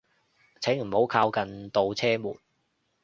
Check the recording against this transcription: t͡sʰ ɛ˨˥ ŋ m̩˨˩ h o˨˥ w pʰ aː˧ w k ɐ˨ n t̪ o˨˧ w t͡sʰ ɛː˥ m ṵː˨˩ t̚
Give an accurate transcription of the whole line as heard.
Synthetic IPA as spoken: t͡sʰ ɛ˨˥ ŋ m̩˨˩ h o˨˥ w kʰ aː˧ w k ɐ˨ n t̪ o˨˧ w t͡sʰ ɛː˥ m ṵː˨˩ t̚